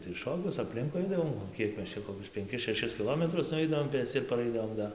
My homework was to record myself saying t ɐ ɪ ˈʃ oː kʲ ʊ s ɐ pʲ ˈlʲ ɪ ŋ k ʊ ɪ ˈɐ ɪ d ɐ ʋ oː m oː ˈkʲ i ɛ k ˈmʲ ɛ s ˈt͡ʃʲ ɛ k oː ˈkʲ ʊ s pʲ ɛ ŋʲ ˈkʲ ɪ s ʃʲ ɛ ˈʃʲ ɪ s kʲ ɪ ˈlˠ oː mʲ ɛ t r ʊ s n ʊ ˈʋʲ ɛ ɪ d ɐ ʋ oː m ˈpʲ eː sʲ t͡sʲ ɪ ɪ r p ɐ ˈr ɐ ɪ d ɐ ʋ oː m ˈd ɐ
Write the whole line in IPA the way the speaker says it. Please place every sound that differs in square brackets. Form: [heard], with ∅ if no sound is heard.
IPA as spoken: t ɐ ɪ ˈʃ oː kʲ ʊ s ɐ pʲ ˈlʲ ɪ ŋ k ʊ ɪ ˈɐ ɪ d ɐ ʋ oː m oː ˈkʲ i ɛ k ˈmʲ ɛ s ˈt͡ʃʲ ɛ k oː ˈkʲ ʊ s pʲ ɛ ŋʲ ˈkʲ ɪ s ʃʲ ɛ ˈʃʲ ɪ s kʲ ɪ ˈlˠ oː mʲ ɛ t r ʊ s n ʊ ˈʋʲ ɛ ɪ d ɐ ʋ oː m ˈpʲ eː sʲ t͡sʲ ɪ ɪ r p ɐ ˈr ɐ ɪ d ɐ ʋ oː m ˈd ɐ